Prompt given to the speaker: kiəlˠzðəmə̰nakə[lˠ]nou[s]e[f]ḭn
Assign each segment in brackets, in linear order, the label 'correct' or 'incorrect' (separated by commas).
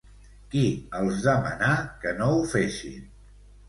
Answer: incorrect, incorrect, incorrect